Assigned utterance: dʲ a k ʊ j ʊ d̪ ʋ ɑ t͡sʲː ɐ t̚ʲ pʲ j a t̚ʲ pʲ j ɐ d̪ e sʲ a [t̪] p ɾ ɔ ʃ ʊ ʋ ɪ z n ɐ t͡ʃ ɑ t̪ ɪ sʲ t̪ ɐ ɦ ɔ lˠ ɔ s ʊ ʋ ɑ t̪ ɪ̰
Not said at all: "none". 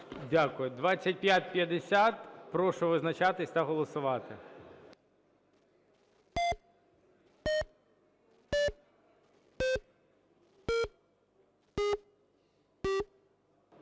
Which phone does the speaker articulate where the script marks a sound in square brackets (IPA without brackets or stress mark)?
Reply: t̪